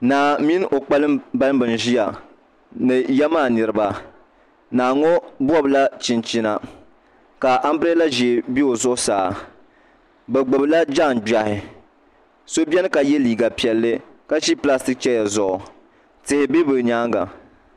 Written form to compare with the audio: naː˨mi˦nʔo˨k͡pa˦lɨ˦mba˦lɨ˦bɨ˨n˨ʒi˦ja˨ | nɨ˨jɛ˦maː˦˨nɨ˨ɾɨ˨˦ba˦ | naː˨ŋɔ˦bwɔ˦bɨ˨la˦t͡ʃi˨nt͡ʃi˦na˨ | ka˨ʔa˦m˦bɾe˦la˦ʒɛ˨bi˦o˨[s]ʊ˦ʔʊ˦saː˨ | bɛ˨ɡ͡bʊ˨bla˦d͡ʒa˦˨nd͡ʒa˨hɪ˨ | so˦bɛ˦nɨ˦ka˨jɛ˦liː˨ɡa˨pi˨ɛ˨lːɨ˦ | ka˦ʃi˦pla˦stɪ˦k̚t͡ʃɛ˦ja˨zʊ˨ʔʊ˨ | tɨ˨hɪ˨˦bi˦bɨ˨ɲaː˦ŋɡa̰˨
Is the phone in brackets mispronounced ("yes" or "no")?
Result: yes